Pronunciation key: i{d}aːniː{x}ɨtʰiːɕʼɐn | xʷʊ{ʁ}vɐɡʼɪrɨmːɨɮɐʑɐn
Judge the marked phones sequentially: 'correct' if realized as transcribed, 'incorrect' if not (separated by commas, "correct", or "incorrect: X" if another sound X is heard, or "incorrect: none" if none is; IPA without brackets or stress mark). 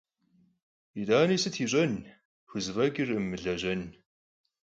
correct, incorrect: s, incorrect: z